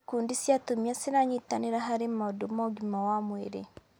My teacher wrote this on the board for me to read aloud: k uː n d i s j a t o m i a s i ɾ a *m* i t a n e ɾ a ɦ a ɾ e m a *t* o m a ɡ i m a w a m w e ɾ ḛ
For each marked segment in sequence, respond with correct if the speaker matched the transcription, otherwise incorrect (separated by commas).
incorrect, incorrect